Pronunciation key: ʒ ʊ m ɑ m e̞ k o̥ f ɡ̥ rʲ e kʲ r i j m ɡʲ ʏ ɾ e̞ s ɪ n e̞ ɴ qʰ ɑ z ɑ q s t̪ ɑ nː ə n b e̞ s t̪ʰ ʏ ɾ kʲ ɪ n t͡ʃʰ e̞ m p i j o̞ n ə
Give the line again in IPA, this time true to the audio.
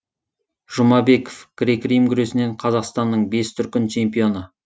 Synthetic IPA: ʒ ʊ m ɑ b e̞ k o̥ f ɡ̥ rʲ e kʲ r i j m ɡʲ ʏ ɾ e̞ s ɪ n e̞ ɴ qʰ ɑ z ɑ q s t̪ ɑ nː ə ɴ b e̞ s t̪ʰ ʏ ɾ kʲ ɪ n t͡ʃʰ e̞ m p i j o̞ n ə

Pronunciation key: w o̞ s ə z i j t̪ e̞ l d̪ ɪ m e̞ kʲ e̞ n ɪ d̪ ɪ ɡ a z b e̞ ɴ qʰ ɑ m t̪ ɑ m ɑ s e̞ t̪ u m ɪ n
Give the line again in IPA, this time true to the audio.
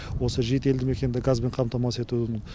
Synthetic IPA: w o̞ s ə ʒ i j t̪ e̞ l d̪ ɪ m e̞ kʲ e̞ n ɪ d̪ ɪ ɡ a z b e̞ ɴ qʰ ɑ m t̪ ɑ m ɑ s e̞ t̪ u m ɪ n

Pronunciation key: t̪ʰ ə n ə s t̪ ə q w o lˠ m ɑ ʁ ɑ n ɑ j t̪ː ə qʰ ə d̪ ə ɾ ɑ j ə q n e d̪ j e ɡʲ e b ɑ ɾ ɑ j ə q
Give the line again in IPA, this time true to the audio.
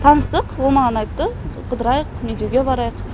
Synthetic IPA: t̪ʰ ɑ n ə s t̪ ə q w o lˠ m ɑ ʁ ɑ n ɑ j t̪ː ə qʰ ə d̪ ə ɾ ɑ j ə q m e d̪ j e ɡʲ e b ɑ ɾ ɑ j ə q

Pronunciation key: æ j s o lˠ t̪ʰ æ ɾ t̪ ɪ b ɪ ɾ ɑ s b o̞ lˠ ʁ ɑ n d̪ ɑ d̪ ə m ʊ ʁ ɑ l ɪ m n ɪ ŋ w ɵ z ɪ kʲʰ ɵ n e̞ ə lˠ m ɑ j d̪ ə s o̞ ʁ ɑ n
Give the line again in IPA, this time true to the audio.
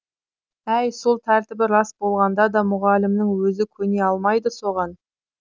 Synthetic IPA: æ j s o lˠ t̪ʰ æ ɾ t̪ ɪ b ɪ ɾ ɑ s b o̞ lˠ ʁ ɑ n d̪ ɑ d̪ ɑ m ʊ ʁ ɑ l ɪ m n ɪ ŋ w ɵ z ɪ kʲʰ ɵ n e̞ ɑ lˠ m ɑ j d̪ ə s o̞ ʁ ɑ n

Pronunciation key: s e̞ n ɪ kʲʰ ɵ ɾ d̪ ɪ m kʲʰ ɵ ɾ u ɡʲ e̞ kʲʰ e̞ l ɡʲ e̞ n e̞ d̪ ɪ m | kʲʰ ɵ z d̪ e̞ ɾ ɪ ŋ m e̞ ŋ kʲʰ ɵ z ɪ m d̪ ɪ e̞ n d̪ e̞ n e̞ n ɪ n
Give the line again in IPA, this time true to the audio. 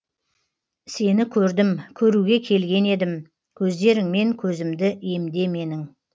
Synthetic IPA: s e̞ n ɪ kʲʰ ɵ ɾ d̪ ɪ m kʲʰ ɵ ɾ u ɡʲ e̞ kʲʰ e̞ l ɡʲ e̞ n e̞ d̪ ɪ m | kʲʰ ɵ z d̪ e̞ ɾ ɪ ŋ m e̞ ŋ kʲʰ ɵ z ɪ m d̪ ɪ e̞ m d̪ e̞ m e̞ n ɪ ŋ

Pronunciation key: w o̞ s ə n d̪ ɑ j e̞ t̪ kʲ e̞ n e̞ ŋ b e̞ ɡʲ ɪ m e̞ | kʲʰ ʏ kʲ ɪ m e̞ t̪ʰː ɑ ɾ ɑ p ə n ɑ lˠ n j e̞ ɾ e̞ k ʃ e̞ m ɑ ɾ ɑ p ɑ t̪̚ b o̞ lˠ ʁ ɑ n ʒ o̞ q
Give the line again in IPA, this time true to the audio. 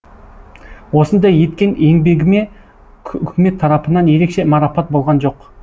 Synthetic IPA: w o̞ s ə n d̪ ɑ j e̞ t̪ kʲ e̞ n e̞ ŋ b e̞ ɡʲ ɪ m e̞ | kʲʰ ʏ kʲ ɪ m e̞ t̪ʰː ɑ ɾ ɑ p ə n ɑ n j e̞ ɾ e̞ k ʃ e̞ m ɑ ɾ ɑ p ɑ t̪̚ b o̞ lˠ ʁ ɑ n ʒ o̞ q

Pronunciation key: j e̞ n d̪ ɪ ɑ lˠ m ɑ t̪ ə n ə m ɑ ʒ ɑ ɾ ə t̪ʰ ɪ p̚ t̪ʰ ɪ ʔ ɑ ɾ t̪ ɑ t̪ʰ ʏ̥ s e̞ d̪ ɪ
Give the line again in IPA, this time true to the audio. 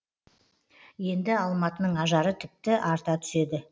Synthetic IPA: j e̞ n d̪ ɪ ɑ lˠ m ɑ t̪ ə n ə ɴ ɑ ʒ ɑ ɾ ə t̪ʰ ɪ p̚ t̪ ɪ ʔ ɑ ɾ t̪ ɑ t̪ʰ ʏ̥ s e̞ d̪ ɪ

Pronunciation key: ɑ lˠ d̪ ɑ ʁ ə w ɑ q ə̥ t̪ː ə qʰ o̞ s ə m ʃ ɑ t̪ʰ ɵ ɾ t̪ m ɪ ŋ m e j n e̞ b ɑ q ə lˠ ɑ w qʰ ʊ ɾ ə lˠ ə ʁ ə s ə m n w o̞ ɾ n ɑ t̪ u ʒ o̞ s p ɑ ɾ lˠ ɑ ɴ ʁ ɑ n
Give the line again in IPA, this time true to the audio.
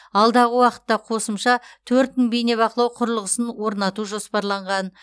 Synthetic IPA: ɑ lˠ d̪ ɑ ʁ ə w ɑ q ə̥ t̪ː ɑ qʰ o̞ s ə m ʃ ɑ t̪ʰ ɵ ɾ t̪ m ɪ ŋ b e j n e̞ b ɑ q ə lˠ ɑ w qʰ ʊ ɾ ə lˠ ə ʁ ə s ə n w o̞ ɾ n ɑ t̪ u ʒ o̞ s p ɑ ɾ lˠ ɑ ɴ ʁ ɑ n

